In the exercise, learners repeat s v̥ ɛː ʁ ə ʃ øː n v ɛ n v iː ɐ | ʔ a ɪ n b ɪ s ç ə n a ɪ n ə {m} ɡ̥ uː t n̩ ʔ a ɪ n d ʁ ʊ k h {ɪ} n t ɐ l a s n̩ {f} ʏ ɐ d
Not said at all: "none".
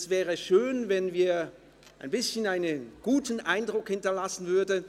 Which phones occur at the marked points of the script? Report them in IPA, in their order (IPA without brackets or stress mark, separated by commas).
n, ɪ, v